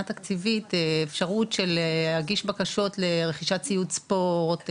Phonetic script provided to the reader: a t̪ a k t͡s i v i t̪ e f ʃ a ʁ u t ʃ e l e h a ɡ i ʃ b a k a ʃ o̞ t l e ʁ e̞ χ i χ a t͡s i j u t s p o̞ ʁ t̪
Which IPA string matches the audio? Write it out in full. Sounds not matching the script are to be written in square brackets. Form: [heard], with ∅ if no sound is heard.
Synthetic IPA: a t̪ a k t͡s i v i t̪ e f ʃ a ʁ u t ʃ e l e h a ɡ i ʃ b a k a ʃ o̞ t l e ʁ e̞ χ i [ʃ] a t͡s i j u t s p o̞ ʁ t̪